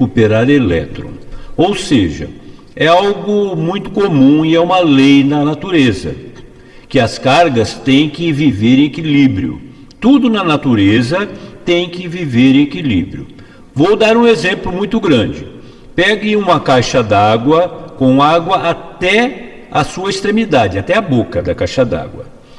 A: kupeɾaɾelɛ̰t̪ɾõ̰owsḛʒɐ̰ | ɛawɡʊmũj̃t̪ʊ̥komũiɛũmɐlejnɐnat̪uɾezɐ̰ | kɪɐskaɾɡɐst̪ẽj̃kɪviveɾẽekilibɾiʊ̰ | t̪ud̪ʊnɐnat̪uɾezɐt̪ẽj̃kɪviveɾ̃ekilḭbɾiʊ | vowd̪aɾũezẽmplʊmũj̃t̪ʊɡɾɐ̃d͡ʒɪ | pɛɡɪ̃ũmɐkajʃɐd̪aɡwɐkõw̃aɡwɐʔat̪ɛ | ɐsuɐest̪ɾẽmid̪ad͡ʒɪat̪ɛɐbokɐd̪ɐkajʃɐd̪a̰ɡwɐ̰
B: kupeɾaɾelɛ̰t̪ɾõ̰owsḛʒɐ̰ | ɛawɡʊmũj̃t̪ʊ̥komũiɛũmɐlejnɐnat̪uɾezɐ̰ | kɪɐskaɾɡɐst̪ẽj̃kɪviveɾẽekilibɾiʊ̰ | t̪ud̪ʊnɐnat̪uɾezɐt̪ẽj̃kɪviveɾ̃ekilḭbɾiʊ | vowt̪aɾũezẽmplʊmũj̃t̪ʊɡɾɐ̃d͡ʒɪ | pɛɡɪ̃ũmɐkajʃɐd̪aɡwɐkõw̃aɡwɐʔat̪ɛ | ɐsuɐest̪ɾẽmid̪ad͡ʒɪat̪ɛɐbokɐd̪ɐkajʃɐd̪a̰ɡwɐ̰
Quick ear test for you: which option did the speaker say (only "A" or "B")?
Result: A